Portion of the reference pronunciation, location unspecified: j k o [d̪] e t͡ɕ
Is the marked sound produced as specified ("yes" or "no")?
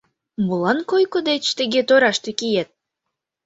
yes